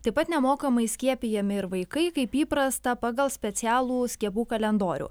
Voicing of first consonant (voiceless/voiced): voiceless